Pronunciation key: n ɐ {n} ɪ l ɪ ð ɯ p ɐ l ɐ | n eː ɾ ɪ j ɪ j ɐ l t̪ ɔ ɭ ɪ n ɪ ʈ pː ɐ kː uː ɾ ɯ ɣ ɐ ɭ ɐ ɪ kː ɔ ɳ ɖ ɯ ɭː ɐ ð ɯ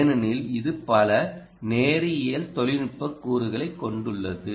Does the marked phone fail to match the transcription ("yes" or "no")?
no